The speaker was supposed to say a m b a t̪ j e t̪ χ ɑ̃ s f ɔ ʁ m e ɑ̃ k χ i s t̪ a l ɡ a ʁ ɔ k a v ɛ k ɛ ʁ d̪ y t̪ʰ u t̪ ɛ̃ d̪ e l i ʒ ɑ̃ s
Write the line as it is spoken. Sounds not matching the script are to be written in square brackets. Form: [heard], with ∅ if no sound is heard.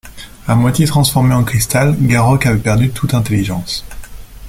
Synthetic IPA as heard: a m [w] a t̪ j e t̪ χ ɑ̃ s f ɔ ʁ m e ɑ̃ k χ i s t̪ a l ɡ a ʁ ɔ k a v ɛ [p] ɛ ʁ d̪ y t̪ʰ u t̪ ɛ̃ [t̪] e l i ʒ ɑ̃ s